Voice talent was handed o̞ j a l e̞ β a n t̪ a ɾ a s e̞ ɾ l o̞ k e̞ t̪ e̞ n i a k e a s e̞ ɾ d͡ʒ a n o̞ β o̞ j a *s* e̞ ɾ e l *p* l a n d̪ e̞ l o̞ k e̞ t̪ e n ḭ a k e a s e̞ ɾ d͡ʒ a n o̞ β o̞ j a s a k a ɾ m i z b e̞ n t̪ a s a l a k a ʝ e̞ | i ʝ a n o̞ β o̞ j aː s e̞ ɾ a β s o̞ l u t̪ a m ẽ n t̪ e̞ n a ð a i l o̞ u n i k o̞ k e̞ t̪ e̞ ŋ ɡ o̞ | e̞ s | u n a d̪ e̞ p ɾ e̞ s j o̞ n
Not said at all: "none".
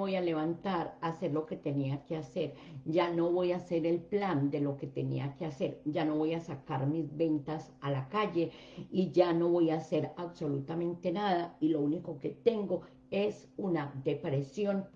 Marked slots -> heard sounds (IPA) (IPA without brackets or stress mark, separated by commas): s, p